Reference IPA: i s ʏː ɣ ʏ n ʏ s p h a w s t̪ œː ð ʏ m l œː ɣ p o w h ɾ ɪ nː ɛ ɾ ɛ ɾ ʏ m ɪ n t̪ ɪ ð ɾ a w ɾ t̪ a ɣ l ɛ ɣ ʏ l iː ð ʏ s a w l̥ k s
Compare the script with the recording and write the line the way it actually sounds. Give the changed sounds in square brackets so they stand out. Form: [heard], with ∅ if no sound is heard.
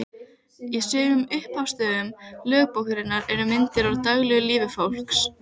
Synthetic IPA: i s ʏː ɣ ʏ [m] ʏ [h] p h a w s t̪ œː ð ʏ m l œː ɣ p o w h ɾ ɪ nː [a] ɾ ɛ ɾ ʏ m ɪ n t̪ ɪ [∅] ɾ a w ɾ t̪ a ɣ l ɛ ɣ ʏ l iː [v] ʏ [f] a w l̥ k s